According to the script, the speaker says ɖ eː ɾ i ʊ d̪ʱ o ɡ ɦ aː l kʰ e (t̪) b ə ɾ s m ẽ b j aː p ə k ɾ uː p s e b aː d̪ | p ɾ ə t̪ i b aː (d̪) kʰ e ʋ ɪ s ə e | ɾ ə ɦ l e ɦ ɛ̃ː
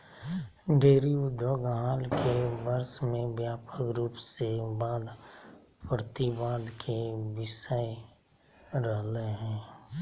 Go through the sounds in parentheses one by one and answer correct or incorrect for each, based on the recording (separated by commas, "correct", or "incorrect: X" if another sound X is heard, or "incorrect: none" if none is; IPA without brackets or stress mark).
incorrect: none, correct